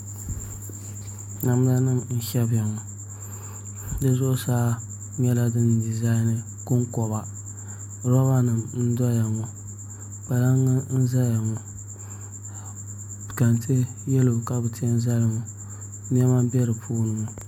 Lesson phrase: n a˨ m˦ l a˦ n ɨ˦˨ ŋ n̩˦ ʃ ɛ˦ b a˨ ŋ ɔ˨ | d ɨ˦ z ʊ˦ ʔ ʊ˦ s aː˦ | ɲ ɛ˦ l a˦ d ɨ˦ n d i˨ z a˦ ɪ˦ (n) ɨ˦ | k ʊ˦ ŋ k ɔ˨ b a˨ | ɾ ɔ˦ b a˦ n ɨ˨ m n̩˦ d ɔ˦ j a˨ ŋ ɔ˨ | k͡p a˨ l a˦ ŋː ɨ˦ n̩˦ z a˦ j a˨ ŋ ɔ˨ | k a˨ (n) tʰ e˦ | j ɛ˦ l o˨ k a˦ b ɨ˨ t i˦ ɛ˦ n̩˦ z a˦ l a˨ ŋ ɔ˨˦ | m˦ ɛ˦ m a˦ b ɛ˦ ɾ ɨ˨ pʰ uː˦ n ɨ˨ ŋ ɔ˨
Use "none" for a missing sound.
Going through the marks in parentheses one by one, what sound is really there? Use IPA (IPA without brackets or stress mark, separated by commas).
n, n